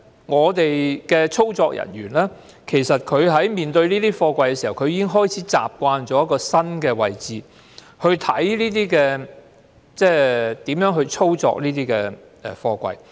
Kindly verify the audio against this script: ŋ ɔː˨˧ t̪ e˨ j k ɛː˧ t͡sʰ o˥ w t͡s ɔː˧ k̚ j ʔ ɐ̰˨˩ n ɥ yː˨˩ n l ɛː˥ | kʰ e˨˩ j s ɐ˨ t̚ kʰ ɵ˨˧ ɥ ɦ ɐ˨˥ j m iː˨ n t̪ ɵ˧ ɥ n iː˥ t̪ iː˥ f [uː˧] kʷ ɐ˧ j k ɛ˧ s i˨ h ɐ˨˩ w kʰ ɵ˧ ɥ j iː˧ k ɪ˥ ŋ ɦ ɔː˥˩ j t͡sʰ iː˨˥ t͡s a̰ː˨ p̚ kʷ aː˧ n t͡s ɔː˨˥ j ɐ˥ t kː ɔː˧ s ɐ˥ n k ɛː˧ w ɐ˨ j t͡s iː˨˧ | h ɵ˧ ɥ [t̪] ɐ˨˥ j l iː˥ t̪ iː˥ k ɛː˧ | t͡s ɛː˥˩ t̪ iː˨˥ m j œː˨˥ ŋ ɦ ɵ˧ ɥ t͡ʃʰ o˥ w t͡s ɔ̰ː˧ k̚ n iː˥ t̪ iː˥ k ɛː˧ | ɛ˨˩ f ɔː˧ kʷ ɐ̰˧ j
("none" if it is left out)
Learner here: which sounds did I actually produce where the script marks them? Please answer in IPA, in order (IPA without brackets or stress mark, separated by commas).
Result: ɔː˧, t̪ʰ